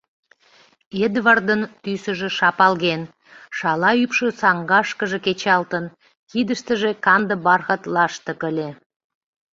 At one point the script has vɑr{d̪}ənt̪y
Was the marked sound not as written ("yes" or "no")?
no